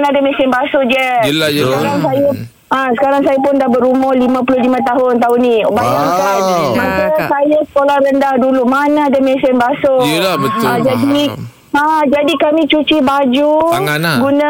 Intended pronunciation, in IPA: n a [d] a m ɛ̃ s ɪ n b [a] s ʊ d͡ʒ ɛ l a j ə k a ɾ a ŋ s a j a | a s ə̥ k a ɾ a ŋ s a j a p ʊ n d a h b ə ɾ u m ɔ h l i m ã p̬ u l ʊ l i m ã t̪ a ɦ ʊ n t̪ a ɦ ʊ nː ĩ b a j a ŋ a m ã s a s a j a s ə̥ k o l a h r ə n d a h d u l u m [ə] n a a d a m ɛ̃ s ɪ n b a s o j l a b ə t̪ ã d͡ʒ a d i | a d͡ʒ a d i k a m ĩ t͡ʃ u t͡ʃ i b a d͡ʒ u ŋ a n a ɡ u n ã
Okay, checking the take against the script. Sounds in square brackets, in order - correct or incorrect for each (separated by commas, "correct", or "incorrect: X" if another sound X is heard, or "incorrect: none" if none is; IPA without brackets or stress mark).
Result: correct, correct, incorrect: a